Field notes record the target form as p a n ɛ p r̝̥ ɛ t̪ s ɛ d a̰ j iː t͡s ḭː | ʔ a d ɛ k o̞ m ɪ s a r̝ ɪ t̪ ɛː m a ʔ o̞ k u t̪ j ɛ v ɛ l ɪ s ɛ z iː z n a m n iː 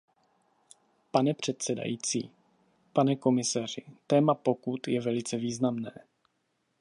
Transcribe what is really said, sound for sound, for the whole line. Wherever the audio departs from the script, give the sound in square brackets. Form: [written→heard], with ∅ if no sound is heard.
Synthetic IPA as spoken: p a n ɛ p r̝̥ ɛ t̪ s ɛ d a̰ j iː t͡s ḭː | [ʔ→p] a [d→n] ɛ k o̞ m ɪ s a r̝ ɪ t̪ ɛː m a [ʔ→p] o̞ k u t̪ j ɛ v ɛ l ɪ [s→t͡s] ɛ [z→v] iː z n a m n [iː→ɛː]

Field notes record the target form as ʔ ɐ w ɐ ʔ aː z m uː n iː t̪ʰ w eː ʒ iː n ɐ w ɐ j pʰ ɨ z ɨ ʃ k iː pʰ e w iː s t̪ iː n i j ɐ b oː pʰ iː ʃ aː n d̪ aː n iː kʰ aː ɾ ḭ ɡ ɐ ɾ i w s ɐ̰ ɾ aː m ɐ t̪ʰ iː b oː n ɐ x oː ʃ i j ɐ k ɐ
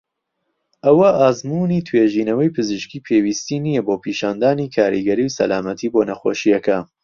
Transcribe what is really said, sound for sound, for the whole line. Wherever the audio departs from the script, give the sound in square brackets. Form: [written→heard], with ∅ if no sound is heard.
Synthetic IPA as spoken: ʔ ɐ w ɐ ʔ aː z m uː n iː t̪ʰ w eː ʒ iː n ɐ w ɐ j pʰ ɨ z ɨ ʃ k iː pʰ e w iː s t̪ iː n i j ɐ b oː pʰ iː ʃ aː n d̪ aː n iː kʰ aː ɾ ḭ ɡ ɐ ɾ i w s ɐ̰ [ɾ→l] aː m ɐ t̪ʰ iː b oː n ɐ x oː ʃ i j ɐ k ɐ

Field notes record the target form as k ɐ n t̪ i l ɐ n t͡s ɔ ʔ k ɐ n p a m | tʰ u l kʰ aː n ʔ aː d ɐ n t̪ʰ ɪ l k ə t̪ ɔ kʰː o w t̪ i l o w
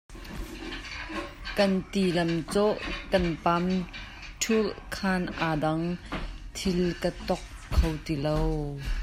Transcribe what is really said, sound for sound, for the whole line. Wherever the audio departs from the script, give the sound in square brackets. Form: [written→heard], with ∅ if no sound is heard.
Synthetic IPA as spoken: k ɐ n t̪ i l ɐ [n→m] t͡s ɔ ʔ k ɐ n p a m | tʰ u l kʰ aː n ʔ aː d ɐ [n→ŋ] t̪ʰ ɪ l k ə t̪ ɔ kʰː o w t̪ i l o w

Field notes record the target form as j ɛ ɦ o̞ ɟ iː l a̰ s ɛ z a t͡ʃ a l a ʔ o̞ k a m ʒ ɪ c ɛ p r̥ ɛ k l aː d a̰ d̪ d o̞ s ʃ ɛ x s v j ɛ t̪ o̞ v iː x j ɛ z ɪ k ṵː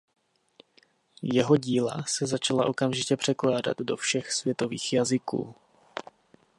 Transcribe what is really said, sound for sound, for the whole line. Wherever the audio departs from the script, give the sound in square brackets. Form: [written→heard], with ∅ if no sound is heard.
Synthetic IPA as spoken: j ɛ ɦ o̞ ɟ iː l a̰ s ɛ z a t͡ʃ a l a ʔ o̞ k a m ʒ ɪ c ɛ p r̥ ɛ k l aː d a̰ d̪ d o̞ [s→f] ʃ ɛ x s v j ɛ t̪ o̞ v iː x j [ɛ→a] z ɪ k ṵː

